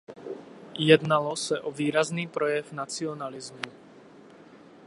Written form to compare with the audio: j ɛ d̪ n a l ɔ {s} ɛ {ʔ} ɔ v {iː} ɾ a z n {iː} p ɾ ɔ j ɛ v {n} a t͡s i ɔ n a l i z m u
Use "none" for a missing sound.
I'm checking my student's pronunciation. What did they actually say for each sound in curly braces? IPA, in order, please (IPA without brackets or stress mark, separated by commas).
s, ʔ, iː, iː, n